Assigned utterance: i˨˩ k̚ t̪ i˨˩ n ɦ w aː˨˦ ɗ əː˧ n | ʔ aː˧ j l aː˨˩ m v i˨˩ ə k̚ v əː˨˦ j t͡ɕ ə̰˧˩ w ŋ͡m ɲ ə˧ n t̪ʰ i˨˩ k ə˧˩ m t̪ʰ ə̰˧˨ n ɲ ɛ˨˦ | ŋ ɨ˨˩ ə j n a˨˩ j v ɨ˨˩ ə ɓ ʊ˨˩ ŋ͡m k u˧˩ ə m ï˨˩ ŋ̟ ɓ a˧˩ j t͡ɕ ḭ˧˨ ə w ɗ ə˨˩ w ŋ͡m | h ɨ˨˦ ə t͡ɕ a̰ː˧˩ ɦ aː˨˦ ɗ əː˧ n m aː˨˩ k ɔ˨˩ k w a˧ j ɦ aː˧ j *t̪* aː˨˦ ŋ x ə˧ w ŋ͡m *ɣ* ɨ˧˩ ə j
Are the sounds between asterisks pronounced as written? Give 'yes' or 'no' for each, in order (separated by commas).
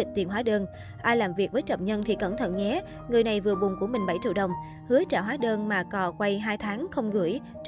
no, yes